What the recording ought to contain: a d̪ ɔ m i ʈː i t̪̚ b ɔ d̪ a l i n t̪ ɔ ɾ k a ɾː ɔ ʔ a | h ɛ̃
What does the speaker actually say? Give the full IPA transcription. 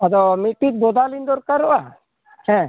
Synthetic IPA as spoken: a d̪ ɔ m i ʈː i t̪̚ b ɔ d̪ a l i n d̪ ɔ ɾ k a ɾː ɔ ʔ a | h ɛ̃